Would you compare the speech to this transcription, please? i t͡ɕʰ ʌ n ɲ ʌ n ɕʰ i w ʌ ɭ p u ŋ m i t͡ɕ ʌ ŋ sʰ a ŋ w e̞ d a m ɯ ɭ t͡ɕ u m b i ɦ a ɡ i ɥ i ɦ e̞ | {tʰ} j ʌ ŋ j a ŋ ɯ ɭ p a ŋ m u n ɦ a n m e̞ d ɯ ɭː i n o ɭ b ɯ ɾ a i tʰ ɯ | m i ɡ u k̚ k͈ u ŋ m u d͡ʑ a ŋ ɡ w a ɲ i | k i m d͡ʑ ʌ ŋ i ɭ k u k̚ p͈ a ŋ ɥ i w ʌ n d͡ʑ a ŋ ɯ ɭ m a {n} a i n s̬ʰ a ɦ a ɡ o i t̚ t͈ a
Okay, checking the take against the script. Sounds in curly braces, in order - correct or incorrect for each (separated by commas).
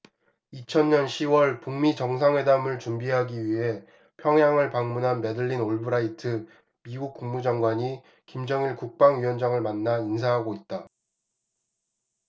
incorrect, incorrect